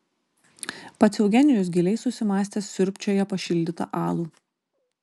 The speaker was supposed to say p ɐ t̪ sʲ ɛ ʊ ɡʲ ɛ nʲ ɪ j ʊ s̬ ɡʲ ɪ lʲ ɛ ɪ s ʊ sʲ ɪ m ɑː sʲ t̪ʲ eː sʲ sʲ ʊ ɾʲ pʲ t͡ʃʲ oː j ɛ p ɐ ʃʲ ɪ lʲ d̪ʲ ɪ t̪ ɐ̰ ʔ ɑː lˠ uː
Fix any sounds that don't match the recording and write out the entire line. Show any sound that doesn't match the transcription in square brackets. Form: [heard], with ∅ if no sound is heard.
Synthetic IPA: p ɐ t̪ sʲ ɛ ʊ ɡʲ ɛ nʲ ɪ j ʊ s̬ ɡʲ ɪ lʲ ɛ ɪ s ʊ sʲ ɪ m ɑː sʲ t̪ʲ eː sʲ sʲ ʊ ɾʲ pʲ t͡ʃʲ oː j ɛ p ɐ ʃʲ ɪ lʲ d̪ʲ ɪ t̪ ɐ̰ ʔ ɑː lˠ uː